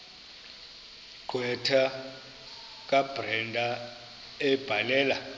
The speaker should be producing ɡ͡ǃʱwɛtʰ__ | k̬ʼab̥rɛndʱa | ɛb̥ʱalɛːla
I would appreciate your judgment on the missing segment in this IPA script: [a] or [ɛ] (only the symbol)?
a